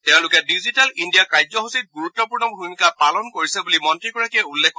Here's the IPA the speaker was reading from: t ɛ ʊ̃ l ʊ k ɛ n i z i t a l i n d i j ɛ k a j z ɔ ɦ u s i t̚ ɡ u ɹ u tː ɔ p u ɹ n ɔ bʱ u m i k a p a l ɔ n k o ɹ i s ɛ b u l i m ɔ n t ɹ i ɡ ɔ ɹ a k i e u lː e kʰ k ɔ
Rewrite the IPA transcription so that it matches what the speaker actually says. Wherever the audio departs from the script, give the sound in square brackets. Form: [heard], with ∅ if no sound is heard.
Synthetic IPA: t ɛ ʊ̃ l ʊ k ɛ [d] i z i t a l i n d i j [a] k a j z ɔ ɦ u s i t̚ ɡ u ɹ u tː ɔ p u ɹ n ɔ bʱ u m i k a p a l ɔ n k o ɹ i s ɛ b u l i m ɔ n t ɹ i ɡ ɔ ɹ a k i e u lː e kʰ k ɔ